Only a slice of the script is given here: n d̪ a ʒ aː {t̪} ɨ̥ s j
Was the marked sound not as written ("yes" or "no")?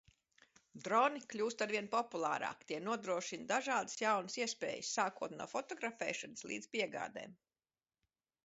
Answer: yes